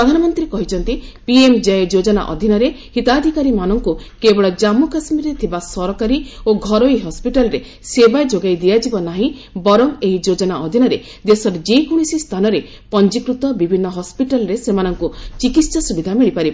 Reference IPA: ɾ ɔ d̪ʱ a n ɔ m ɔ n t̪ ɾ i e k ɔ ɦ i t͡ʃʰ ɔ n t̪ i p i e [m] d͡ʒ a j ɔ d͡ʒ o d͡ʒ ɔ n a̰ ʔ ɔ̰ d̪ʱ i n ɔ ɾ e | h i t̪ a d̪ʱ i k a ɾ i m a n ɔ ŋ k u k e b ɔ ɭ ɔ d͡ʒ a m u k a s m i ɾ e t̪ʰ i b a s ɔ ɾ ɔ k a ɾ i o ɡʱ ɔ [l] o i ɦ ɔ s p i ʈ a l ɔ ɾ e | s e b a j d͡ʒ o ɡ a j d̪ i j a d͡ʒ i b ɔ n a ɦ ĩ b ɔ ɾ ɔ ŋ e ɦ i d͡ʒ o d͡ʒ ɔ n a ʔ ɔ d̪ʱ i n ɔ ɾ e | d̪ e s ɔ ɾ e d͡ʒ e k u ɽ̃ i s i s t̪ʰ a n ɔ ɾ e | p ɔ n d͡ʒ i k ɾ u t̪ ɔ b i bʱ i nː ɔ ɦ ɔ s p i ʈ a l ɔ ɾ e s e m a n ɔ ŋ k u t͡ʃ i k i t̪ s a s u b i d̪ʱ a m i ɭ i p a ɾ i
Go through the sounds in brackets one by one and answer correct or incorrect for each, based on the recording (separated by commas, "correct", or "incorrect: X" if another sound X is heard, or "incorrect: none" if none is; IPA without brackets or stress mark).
correct, incorrect: ɾ